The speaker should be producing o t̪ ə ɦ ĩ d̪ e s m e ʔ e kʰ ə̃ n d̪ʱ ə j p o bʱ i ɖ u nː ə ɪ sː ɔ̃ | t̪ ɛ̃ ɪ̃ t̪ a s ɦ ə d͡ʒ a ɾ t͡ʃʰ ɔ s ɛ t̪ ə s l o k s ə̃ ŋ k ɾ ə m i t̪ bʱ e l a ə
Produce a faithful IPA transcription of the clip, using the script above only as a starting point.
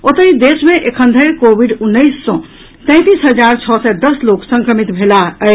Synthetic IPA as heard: o t̪ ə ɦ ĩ d̪ e s m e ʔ e kʰ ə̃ n d̪ʱ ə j k o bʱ i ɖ u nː ə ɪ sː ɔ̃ | t̪ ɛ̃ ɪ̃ t̪ i s ɦ ə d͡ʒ a ɾ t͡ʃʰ ɔ s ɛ d̪ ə s l o k s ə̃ ŋ k ɾ ə m i t̪ bʱ e l a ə

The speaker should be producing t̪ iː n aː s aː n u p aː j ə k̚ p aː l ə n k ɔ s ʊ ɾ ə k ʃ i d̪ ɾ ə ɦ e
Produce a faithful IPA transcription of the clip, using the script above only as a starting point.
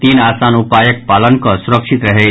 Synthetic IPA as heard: t̪ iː n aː s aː n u p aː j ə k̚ p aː l ə n k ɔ s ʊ ɾ ə k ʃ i t̪ ɾ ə ɦ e

